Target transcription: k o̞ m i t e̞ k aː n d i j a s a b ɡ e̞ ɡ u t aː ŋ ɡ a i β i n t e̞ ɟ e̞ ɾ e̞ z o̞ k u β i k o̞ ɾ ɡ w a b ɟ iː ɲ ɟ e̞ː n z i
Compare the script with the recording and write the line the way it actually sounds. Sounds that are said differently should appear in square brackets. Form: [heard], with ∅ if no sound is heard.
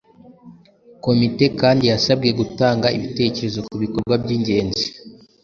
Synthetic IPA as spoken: k o̞ m i t e̞ k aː n d i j a s a b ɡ e̞ ɡ u t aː ŋ ɡ a i β i [∅] t e̞ [c] e̞ ɾ e̞ z o̞ k u β i k o̞ ɾ ɡ w a b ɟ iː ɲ ɟ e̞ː n z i